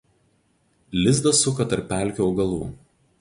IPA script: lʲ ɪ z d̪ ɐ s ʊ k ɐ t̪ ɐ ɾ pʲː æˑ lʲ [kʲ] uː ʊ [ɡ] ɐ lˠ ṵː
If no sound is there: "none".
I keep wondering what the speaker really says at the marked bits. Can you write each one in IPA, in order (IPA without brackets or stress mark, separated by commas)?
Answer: kʲ, ɡ